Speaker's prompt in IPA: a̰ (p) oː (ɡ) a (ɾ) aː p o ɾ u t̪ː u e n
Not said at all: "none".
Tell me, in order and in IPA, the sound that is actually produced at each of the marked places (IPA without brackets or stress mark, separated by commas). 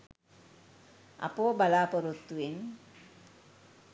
p, b, l